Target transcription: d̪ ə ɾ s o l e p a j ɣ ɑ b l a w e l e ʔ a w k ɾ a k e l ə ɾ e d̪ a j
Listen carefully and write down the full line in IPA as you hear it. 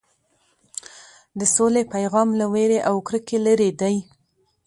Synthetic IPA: d̪ ə s o l e p a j ɣ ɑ m l a w e ɾ e ʔ a w k ɾ ə k e l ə ɾ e d̪ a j